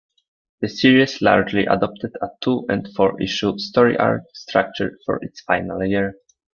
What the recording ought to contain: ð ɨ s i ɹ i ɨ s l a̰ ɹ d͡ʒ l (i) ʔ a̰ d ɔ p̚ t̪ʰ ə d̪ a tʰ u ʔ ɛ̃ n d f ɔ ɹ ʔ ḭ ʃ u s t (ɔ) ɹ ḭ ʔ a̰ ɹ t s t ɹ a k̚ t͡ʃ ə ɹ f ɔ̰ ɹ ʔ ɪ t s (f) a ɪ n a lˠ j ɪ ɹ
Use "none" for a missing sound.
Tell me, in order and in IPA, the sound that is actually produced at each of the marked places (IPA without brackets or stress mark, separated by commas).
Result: i, ɔ, f